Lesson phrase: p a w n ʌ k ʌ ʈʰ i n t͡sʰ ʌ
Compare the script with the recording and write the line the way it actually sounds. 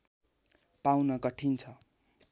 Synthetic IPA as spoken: p a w n ʌ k ʌ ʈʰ i n t͡sʰ ʌ